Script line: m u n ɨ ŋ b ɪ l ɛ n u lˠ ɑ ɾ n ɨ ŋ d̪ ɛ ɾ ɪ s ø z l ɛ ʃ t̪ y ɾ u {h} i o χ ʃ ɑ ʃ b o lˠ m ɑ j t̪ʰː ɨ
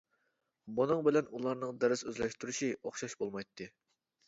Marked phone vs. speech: incorrect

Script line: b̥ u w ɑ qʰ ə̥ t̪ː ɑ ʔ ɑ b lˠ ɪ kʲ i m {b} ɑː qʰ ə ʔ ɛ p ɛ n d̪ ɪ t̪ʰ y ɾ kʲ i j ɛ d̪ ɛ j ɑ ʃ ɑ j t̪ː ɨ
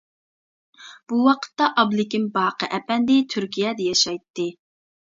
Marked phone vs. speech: correct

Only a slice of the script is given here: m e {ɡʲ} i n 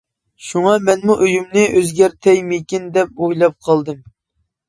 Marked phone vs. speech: incorrect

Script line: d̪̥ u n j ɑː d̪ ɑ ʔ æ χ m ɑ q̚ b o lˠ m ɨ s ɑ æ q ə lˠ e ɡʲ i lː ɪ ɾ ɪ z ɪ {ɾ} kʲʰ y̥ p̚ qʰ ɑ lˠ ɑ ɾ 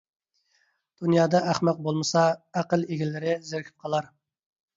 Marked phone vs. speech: correct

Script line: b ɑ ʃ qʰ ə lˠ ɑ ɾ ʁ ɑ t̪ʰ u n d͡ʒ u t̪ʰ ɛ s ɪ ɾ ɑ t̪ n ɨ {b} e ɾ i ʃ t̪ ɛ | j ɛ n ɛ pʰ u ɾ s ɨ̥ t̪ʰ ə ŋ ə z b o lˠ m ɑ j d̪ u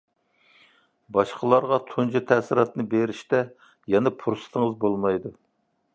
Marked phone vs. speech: correct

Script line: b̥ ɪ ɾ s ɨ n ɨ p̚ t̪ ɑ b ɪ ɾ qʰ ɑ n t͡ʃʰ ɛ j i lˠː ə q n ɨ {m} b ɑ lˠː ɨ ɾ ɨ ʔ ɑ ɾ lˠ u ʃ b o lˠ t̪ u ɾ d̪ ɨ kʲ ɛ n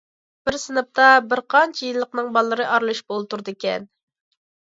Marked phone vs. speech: incorrect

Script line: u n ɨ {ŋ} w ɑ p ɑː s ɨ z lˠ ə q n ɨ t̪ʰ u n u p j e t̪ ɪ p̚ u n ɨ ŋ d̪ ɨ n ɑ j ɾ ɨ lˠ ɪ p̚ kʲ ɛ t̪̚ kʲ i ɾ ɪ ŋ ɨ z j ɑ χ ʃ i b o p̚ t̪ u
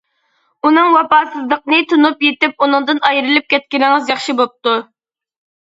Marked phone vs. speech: correct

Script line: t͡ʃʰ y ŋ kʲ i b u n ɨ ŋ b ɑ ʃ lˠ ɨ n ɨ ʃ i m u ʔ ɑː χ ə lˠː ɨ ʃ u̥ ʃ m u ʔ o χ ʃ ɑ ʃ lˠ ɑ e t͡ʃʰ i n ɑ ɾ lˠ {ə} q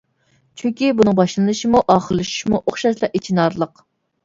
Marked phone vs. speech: correct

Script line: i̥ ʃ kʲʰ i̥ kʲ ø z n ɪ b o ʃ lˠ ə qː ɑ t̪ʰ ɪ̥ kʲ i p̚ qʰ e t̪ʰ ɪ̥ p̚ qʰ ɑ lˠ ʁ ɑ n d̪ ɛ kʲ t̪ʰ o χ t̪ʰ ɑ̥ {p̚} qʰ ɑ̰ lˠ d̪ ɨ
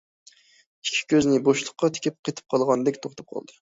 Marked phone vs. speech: correct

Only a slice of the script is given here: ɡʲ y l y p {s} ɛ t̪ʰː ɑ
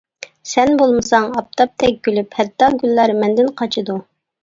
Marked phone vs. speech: incorrect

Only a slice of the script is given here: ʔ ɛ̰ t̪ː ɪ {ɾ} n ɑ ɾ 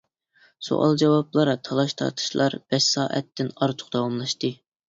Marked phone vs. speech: incorrect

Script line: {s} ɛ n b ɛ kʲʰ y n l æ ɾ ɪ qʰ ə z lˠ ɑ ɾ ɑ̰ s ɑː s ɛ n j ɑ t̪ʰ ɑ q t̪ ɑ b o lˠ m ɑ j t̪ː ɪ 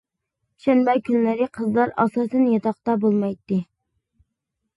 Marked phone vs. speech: incorrect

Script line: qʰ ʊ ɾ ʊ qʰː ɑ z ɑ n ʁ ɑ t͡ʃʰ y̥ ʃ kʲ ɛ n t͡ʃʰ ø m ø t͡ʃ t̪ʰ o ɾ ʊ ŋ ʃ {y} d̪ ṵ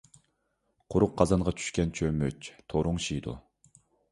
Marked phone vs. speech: incorrect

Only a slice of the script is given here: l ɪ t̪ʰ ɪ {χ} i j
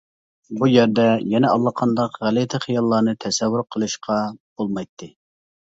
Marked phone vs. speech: correct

